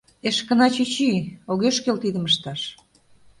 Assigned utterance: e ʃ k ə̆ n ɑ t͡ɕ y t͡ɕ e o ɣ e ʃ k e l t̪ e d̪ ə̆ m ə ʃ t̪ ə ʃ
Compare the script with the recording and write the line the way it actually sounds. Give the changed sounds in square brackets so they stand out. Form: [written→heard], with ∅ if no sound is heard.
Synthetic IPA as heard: e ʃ k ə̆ n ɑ t͡ɕ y t͡ɕ [e→i] o ɣ e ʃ k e l t̪ [e→i] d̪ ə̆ m ə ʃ t̪ [ə→ɑ] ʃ